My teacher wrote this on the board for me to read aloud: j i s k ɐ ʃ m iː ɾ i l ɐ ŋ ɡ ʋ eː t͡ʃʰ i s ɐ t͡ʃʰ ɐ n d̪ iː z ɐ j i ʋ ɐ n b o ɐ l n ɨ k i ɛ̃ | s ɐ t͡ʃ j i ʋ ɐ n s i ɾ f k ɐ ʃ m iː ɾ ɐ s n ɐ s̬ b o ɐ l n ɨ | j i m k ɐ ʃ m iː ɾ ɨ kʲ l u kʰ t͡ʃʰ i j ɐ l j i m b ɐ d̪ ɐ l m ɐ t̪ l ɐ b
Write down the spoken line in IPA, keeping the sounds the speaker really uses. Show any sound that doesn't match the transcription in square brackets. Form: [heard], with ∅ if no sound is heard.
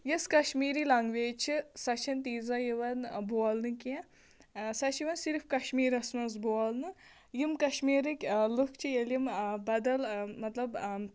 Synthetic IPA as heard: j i s k ɐ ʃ m iː ɾ i l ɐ ŋ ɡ ʋ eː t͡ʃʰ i s ɐ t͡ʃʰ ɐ n [t̪] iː z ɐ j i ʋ ɐ n b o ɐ l n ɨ k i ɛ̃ | s ɐ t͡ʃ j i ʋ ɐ n s i ɾ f k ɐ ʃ m iː ɾ ɐ s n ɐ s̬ b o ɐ l n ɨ | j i m k ɐ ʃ m iː ɾ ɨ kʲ l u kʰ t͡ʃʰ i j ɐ l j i m b ɐ d̪ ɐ l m ɐ t̪ l ɐ b